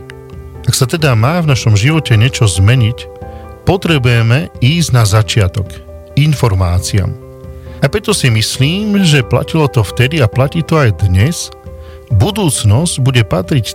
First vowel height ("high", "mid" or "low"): low